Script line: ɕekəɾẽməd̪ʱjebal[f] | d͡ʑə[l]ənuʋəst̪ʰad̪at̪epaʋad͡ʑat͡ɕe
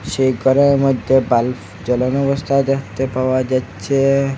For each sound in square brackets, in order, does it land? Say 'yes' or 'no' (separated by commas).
yes, yes